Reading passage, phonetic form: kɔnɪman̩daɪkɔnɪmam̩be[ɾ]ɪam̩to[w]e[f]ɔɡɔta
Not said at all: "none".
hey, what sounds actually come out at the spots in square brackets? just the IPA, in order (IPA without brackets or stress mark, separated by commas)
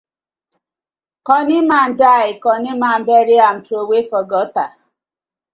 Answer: ɾ, w, f